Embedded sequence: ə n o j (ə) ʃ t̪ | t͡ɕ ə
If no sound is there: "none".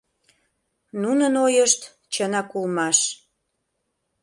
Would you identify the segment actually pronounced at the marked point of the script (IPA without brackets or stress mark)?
ə